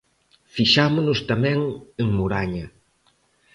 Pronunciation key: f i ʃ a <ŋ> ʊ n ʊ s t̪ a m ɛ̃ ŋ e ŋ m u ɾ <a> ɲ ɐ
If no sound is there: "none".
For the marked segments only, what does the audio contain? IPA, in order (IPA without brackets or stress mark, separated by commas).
m, a